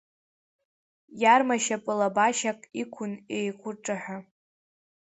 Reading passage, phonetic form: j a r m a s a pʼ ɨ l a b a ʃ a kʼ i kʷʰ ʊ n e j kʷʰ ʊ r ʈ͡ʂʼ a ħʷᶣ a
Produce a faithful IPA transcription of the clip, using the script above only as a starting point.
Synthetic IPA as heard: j a r m a ʃ a pʼ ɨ l a b a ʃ a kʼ i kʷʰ ʊ n e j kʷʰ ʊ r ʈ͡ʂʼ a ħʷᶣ a